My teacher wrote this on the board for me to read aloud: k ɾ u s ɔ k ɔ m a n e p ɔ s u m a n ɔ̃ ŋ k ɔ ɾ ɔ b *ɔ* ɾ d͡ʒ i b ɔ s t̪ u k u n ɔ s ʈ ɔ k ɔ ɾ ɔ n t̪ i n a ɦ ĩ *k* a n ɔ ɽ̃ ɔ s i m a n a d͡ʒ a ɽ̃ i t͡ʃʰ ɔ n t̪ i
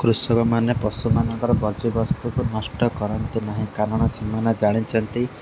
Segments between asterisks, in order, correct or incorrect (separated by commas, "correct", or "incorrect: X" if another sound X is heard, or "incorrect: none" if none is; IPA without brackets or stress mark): correct, correct